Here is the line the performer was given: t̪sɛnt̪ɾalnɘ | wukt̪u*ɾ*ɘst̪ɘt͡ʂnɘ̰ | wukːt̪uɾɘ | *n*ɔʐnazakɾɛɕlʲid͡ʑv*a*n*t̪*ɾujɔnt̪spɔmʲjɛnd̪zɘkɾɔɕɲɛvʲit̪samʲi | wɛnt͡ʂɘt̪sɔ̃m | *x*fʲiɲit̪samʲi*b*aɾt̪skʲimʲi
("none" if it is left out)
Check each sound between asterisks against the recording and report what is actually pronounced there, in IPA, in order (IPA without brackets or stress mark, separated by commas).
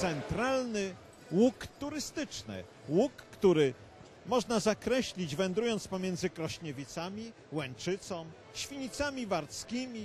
ɾ, m, ɛ, d̪, ɕ, v